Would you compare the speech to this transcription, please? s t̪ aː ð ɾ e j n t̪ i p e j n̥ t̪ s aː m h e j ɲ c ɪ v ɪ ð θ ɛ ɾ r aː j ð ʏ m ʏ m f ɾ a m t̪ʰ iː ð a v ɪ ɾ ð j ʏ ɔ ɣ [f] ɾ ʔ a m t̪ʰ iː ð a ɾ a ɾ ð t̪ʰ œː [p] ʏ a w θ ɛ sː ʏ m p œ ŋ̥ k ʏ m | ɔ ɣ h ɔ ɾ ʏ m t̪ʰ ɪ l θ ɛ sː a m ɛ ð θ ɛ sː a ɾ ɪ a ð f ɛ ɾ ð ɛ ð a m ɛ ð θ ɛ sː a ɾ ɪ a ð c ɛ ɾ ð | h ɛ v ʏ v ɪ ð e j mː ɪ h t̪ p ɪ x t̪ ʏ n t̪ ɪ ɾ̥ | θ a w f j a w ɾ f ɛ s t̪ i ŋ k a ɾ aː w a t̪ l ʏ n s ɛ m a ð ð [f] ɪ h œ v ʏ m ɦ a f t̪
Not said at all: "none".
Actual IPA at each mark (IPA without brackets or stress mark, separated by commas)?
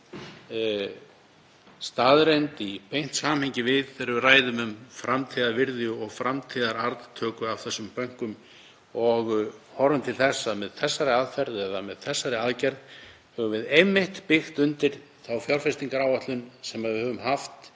f, k, v